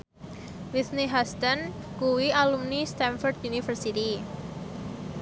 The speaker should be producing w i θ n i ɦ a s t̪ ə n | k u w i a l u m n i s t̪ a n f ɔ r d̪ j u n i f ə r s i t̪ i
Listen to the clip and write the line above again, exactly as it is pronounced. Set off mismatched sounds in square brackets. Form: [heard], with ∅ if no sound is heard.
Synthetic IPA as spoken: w i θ n i ɦ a s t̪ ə n | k u w i a l u m n i s t̪ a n f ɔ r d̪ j u n i f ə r s i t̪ i